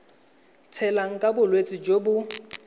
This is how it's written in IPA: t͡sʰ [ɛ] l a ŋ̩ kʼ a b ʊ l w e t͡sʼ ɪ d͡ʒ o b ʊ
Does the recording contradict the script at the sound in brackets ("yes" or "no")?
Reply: no